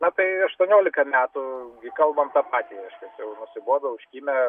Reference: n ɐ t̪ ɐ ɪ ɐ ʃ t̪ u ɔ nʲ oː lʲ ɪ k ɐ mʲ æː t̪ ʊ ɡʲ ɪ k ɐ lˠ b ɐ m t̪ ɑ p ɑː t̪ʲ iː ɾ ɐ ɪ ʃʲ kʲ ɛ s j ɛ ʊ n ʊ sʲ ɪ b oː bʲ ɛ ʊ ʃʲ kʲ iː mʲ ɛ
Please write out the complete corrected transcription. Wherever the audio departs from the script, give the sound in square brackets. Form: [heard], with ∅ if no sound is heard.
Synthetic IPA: n ɐ t̪ ɐ ɪ ɐ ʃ t̪ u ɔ nʲ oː lʲ ɪ k ɐ mʲ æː t̪ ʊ ɡʲ ɪ k ɐ lˠ b ɐ m t̪ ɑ p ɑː t̪ʲ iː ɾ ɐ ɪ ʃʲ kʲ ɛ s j ɛ ʊ n ʊ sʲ ɪ b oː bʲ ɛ ʊ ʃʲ kʲ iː mʲ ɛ